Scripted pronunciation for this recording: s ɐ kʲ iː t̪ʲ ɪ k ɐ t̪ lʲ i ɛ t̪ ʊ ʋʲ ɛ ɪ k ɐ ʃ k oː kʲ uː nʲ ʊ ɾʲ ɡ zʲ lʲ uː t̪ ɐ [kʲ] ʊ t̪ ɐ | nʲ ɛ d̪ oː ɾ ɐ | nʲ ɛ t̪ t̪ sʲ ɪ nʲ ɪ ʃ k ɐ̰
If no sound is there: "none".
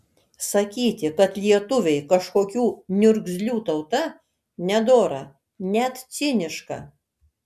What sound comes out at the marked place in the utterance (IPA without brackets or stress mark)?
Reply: none